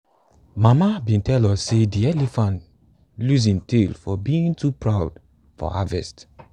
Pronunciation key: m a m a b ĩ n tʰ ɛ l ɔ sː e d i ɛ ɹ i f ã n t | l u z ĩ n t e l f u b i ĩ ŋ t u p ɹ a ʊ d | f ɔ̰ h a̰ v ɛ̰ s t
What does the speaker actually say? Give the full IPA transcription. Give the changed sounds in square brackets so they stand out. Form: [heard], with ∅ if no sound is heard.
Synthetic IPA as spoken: m a m a b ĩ n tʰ ɛ l ɔ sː e d i ɛ [l] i f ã n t | l u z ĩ n t e l f [ɔ] b i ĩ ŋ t u p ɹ a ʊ d | f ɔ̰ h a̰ v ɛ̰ s t